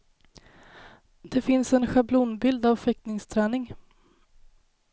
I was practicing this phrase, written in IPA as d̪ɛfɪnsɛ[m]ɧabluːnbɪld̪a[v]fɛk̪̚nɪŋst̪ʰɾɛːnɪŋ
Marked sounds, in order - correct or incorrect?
incorrect, correct

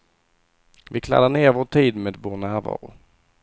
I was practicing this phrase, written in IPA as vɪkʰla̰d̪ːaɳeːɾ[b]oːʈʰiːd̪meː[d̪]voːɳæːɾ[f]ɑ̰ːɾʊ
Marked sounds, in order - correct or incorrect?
incorrect, correct, incorrect

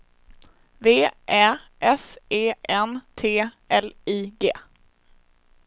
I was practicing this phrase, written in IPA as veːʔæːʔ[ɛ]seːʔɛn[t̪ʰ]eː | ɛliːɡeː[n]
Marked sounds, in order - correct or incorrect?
correct, correct, incorrect

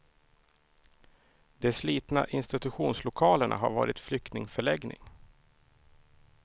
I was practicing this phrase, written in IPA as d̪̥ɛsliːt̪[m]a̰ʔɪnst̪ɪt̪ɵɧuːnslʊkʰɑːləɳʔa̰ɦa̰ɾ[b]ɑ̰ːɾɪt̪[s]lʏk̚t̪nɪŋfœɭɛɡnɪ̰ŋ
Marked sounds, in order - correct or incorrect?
incorrect, incorrect, incorrect

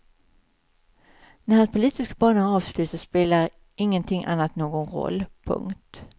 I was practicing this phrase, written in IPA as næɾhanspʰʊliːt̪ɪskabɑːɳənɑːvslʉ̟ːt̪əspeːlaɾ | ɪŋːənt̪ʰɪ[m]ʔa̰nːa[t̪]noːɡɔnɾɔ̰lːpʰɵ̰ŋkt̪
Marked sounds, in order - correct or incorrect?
incorrect, correct

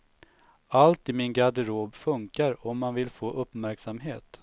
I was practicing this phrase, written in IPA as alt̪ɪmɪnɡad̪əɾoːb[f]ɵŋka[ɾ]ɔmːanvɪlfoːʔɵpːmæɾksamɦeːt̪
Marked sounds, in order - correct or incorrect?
correct, correct

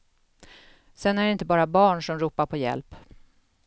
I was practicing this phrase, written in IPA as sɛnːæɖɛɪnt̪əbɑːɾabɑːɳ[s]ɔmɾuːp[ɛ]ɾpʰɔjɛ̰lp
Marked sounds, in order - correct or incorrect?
incorrect, incorrect

